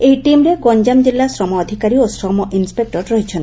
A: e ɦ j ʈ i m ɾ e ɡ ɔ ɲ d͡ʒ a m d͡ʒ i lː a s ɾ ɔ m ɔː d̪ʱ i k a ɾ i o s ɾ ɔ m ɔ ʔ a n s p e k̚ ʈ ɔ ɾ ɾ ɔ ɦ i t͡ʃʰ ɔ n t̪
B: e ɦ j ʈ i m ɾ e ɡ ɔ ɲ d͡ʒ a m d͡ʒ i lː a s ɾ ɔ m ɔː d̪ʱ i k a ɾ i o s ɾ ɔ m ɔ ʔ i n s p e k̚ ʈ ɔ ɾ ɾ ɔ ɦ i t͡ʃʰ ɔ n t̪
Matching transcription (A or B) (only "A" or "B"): B